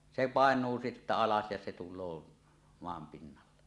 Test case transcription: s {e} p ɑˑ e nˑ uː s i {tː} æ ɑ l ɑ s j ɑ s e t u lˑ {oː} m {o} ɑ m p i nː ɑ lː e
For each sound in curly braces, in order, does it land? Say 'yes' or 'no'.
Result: yes, yes, yes, yes

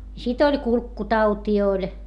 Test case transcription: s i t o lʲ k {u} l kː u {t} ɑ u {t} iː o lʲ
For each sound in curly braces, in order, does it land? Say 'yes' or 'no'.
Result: yes, yes, yes

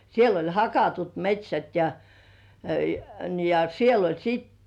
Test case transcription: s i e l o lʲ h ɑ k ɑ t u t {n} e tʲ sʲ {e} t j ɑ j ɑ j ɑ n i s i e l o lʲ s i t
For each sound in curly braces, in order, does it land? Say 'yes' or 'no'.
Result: no, no

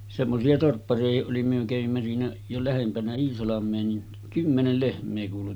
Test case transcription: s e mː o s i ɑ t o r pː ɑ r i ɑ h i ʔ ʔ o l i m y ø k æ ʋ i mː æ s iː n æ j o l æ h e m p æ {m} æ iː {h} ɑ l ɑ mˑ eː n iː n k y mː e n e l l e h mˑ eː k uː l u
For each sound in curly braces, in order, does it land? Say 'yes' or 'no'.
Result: no, no

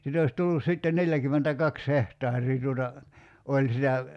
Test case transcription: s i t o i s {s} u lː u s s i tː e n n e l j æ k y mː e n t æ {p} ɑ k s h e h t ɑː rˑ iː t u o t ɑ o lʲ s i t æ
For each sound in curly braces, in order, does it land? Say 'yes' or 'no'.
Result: no, no

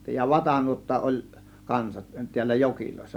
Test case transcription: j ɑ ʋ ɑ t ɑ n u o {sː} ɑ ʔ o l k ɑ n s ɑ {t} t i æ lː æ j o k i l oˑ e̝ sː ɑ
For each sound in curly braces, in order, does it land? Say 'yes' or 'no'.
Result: no, yes

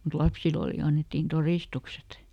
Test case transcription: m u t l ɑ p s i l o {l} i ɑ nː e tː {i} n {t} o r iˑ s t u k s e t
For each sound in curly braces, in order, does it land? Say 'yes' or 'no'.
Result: yes, no, yes

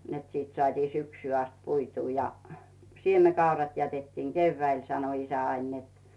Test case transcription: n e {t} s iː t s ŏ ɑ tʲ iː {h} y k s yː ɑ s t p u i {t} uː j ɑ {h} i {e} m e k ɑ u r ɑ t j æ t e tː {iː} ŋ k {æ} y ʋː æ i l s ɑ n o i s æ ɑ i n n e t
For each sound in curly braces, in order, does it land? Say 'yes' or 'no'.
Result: yes, no, yes, no, yes, yes, no

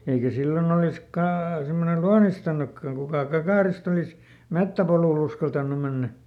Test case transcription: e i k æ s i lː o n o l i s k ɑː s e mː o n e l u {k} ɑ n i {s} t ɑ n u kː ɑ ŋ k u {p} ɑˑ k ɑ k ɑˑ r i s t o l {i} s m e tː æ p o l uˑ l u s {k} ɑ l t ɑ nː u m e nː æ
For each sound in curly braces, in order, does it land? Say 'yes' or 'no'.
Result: no, yes, no, yes, yes

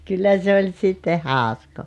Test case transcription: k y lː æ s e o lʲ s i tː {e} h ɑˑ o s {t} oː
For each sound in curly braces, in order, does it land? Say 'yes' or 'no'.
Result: yes, no

